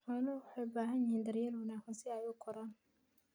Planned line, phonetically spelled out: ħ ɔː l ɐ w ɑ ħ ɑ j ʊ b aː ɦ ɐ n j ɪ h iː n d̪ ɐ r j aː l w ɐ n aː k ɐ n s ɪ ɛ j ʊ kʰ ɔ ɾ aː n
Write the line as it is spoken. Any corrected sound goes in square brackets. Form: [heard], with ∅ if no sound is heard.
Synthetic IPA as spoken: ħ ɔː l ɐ w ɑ ħ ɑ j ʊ b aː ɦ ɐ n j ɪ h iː n d̪ ɐ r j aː l w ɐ n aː k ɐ n s ɪ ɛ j ʊ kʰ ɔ ɾ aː n